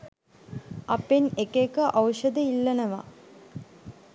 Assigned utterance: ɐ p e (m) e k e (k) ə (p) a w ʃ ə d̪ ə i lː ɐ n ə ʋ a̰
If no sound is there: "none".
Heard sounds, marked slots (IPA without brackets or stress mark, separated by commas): n, k, ʔ